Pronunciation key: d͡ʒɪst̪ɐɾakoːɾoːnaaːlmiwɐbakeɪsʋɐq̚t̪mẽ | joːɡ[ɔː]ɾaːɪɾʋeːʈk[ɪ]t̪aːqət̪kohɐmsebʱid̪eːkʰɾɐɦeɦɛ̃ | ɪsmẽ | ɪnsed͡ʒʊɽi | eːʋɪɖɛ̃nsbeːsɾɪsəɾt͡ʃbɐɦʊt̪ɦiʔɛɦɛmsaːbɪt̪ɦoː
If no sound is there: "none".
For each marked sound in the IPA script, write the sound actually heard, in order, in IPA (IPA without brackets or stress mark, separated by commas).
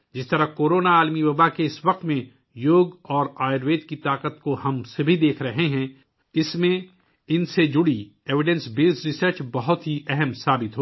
ɔː, i